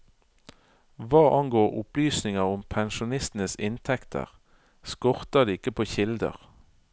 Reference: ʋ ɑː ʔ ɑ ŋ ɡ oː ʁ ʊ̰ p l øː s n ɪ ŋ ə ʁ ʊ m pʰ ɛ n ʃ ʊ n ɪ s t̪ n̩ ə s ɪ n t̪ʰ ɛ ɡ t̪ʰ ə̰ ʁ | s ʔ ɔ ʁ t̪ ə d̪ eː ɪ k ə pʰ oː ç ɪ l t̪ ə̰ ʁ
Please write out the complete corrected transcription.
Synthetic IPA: ʋ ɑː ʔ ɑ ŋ ɡ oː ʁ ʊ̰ p l yː s n ɪ ŋ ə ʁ ʊ m pʰ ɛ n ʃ ʊ n ɪ s t̪ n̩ ə s ɪ n t̪ʰ ɛ k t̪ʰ ə̰ ʁ | s k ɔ ʁ t̪ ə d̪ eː ɪ k ə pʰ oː ç ɪ l d̪ ə̰ ʁ